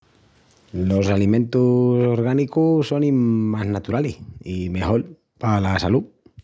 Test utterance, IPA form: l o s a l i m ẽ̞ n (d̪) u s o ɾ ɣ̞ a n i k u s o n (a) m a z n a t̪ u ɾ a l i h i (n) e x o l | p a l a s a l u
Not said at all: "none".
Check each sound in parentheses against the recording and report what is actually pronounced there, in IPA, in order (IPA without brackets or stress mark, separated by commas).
t̪, i, m